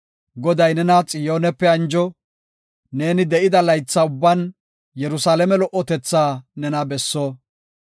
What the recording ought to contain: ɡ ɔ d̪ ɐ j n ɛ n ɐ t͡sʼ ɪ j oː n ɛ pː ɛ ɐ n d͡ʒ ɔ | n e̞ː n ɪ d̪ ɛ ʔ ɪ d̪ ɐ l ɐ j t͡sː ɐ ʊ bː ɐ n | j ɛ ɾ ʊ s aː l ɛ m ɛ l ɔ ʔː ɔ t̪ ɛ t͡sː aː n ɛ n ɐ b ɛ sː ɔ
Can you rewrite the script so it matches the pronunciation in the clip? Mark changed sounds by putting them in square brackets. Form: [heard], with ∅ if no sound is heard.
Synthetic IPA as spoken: ɡ ɔ d̪ ɐ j n ɛ n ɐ t͡sʼ ɪ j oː n ɛ pː ɛ ɐ n d͡ʒ ɔ | n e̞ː n ɪ d̪ ɛ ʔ ɪ d̪ ɐ l ɐ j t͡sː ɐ ʊ bː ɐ n | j ɛ ɾ ʊ s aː l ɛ m ɛ l ɔ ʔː ɔ t̪ ɛ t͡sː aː n ɛ n ɐ b ɛ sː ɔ